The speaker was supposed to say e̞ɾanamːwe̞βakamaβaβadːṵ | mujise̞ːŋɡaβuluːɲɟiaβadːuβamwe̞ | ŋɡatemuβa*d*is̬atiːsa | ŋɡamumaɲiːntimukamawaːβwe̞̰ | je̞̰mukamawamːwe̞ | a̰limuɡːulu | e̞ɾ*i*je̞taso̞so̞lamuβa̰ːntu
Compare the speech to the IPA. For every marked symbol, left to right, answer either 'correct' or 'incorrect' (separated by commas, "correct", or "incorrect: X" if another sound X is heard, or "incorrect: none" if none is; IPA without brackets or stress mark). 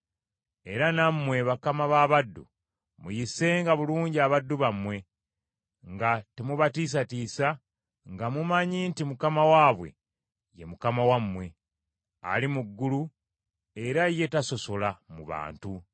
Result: incorrect: t, incorrect: a